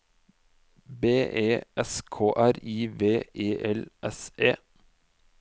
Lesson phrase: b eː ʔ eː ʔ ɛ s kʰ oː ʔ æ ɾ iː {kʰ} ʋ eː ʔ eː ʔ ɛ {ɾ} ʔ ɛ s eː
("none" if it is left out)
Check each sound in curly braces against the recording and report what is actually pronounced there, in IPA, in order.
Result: none, l

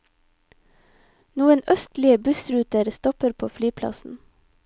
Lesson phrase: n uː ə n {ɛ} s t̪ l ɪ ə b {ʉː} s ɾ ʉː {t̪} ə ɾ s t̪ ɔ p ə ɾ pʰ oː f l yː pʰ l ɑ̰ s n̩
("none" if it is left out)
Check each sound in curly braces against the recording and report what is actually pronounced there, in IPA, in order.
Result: œ, ʉ, t̪

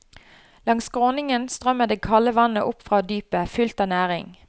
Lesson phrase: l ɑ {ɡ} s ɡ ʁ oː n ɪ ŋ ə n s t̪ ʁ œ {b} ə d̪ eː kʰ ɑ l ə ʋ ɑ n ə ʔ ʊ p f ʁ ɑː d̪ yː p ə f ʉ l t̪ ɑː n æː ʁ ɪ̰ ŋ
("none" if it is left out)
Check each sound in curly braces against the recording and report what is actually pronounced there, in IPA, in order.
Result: ŋ, m

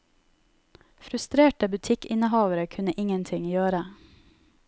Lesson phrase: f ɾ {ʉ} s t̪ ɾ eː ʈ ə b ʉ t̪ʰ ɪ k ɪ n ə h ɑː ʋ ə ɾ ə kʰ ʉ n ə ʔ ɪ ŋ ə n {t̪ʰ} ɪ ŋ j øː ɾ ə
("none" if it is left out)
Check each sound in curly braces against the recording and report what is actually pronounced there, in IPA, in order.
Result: ʉ, t̪ʰ

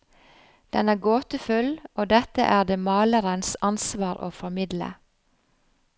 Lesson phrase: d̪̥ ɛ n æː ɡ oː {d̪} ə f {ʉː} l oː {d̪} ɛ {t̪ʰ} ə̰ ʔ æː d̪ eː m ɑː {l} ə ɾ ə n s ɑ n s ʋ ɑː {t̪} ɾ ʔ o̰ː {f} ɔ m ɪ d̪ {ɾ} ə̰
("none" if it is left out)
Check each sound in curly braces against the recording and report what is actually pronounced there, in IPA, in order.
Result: t̪, ʉ, d̪, t̪, l, none, f, l

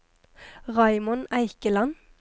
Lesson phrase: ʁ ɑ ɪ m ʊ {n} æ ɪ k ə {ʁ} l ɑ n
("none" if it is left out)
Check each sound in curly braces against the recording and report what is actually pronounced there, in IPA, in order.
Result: n, none

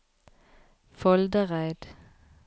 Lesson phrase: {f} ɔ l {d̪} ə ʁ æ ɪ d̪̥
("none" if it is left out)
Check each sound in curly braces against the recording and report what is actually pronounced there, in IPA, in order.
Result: f, d̪

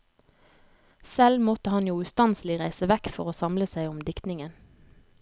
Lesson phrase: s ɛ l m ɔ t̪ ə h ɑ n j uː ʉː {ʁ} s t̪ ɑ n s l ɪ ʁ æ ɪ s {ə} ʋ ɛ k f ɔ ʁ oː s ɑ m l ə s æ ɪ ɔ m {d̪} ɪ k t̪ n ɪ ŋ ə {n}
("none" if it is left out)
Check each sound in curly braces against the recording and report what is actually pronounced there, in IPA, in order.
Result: none, ə, d̪, n

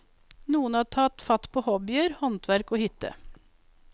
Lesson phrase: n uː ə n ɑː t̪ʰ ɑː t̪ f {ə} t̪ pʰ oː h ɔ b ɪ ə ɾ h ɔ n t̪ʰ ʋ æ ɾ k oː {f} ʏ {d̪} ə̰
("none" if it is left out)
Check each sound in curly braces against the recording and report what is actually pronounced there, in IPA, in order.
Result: ɑ, h, t̪

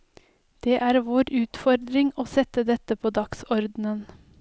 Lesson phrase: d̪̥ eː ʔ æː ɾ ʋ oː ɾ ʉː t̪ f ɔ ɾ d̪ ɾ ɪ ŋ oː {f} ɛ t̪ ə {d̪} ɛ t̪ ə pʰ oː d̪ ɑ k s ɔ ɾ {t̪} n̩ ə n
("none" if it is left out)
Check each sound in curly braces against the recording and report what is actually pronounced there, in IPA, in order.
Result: s, d̪, d̪

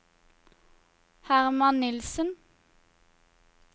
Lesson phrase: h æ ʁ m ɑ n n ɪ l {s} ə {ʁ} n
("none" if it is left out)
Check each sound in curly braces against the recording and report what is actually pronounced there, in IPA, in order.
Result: s, none

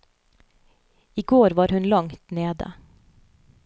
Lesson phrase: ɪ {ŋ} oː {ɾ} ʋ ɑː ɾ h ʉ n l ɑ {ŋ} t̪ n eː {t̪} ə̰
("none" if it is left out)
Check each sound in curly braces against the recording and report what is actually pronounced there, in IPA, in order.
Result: ɡ, ɾ, ŋ, d̪

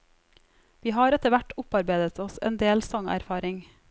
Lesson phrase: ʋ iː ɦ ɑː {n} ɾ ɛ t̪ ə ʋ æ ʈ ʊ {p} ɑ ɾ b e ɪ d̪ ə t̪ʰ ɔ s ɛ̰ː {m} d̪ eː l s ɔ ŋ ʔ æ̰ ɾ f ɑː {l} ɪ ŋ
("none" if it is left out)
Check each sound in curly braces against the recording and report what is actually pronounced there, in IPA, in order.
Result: none, p, n, ɾ

